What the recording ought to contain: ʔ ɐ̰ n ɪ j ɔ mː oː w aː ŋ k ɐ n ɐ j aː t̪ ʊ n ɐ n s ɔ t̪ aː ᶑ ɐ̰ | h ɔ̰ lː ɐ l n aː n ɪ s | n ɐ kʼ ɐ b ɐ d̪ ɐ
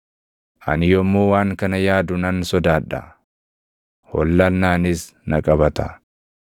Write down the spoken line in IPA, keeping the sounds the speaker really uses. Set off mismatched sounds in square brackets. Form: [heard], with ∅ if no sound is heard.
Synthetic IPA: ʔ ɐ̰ n ɪ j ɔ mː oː w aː ŋ k ɐ n ɐ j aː [d̪] ʊ n ɐ n s ɔ [d̪] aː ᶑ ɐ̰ | h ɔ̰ lː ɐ l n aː n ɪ s | n ɐ kʼ ɐ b ɐ [t̪] ɐ